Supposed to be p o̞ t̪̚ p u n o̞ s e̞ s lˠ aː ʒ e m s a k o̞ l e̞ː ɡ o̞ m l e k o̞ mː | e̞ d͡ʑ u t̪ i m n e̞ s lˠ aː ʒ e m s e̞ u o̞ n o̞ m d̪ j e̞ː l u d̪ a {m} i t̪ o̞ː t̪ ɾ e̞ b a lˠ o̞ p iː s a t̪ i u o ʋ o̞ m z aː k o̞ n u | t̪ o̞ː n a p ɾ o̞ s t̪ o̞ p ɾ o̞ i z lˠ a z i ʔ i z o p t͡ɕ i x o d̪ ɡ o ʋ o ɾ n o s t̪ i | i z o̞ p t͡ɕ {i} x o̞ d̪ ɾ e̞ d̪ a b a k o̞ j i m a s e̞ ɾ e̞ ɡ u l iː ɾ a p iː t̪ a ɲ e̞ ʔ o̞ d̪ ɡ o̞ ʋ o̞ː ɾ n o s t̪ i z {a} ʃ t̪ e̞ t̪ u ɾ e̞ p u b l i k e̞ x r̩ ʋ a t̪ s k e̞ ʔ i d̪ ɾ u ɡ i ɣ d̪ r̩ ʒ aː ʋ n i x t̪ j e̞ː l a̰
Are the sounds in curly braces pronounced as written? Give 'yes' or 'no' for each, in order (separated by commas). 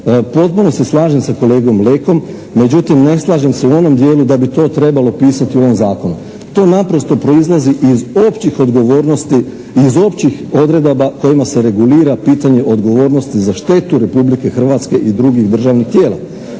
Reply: no, yes, yes